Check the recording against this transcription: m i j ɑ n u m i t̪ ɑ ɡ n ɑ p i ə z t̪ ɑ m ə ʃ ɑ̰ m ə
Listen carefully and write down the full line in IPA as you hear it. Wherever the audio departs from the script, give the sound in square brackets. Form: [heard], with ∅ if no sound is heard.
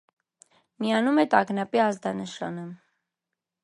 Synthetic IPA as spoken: m i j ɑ n u m [ɛ] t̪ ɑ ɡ n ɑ p i [ɑ] z [d̪] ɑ [n] ə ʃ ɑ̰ [n] ə